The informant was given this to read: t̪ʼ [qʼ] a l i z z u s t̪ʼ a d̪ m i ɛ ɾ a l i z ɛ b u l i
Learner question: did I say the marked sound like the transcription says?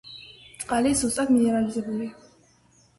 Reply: yes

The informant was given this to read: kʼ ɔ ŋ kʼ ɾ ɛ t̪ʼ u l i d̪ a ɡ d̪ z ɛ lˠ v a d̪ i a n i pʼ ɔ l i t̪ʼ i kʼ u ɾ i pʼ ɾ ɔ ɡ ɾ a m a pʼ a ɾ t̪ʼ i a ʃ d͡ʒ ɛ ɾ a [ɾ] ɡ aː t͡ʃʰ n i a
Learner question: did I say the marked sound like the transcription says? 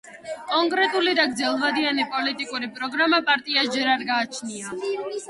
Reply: yes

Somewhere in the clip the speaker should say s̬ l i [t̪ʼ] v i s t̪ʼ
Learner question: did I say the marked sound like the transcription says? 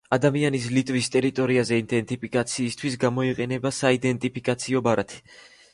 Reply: yes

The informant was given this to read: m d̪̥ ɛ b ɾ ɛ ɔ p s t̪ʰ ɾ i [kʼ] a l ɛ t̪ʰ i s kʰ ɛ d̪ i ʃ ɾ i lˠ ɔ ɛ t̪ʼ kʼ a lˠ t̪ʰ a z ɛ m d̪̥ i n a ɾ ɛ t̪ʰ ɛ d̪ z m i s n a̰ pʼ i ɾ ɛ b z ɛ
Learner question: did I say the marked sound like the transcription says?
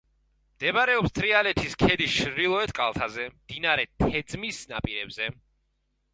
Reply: no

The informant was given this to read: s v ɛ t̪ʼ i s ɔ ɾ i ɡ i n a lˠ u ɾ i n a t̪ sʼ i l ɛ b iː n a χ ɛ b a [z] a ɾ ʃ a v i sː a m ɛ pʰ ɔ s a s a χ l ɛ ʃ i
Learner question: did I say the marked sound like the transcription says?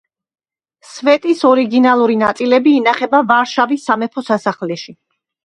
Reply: no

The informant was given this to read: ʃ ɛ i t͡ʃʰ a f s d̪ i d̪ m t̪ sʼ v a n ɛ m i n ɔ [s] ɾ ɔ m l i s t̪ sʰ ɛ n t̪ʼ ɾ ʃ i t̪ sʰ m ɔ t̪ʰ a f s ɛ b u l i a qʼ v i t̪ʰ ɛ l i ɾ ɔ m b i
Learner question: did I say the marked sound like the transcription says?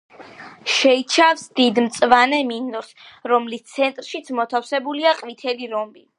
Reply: yes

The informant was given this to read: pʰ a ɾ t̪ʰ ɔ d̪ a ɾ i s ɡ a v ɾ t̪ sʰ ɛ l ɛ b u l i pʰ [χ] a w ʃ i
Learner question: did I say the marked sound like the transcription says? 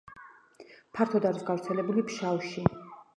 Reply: no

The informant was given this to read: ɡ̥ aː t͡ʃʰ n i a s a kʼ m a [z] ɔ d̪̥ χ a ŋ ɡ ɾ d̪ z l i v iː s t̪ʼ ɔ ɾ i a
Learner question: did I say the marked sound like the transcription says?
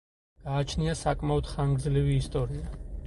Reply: no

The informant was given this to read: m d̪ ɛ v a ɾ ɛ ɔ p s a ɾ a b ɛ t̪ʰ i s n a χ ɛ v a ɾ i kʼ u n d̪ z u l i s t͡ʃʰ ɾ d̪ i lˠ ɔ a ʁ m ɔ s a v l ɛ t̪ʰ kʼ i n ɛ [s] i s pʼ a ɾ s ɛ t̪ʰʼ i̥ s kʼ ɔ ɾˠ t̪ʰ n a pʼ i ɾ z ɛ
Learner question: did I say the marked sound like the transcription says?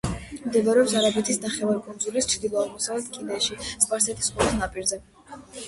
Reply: no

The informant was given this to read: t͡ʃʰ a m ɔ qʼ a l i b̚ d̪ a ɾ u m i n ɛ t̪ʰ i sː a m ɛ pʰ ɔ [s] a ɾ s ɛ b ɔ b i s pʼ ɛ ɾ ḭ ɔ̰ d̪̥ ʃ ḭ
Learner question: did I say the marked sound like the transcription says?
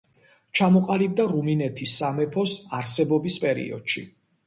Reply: yes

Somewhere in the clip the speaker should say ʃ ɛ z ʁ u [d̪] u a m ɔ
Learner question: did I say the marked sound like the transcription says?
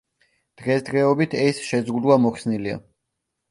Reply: yes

